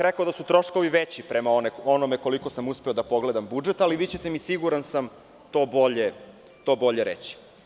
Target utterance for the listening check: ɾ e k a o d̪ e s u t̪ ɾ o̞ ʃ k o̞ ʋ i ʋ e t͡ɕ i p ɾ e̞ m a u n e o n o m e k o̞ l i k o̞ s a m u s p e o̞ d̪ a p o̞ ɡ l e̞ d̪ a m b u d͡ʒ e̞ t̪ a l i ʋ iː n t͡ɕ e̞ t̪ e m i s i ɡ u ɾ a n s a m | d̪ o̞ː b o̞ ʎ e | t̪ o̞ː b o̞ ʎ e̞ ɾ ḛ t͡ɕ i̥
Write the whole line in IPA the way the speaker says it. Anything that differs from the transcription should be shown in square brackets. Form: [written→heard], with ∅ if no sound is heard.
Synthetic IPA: ɾ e k a o d̪ [e→a] s u t̪ ɾ o̞ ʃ k o̞ ʋ i ʋ e t͡ɕ i p ɾ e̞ m a [u→o] n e o n o m e k o̞ l i k o̞ s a m u s p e o̞ d̪ a p o̞ ɡ l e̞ d̪ a m b u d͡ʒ e̞ t̪ a l i ʋ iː [n→∅] t͡ɕ e̞ t̪ e m i s i ɡ u ɾ a n s a m | [d̪→t̪] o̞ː b o̞ ʎ e | t̪ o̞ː b o̞ ʎ e̞ ɾ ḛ t͡ɕ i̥